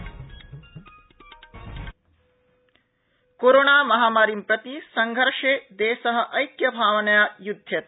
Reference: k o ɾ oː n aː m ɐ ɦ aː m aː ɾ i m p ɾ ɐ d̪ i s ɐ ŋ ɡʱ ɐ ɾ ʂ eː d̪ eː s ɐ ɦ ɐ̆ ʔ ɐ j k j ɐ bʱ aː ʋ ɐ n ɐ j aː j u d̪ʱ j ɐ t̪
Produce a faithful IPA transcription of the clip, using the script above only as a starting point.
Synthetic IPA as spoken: k o ɾ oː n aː m ɐ ɦ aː m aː ɾ i m p ɾ ɐ t̪ i s ɐ ŋ ɡʱ ɐ ɾ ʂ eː d̪ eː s ɐ ɦ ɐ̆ ʔ ɐ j k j ɐ bʱ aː ʋ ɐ n ɐ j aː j u d̪ʱ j ɐ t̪